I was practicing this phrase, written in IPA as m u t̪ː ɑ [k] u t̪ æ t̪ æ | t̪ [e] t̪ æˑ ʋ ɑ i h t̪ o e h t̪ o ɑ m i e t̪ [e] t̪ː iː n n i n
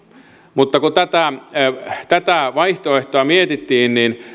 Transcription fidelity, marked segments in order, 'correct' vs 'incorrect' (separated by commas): correct, incorrect, incorrect